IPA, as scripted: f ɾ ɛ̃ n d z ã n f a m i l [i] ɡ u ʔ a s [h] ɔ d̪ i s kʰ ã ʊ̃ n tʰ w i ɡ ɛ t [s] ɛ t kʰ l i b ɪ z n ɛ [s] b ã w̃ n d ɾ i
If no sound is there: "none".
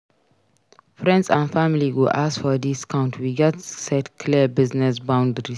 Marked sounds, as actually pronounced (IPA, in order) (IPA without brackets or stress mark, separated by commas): i, f, s, s